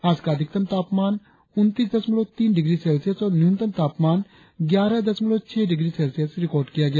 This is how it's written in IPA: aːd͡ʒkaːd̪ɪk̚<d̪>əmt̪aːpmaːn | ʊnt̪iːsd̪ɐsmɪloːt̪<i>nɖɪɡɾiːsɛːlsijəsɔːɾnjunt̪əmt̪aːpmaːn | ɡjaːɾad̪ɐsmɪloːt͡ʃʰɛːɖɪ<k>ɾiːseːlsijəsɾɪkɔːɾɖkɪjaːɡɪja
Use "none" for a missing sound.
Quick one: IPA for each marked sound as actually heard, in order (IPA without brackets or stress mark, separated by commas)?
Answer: t̪, iː, ɡ